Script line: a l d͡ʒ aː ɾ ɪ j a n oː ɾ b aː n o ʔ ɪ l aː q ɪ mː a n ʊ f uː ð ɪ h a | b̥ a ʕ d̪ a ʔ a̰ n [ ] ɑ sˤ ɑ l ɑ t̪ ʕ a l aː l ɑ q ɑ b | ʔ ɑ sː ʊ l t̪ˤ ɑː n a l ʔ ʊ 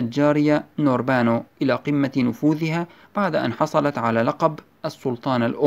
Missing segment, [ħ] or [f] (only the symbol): ħ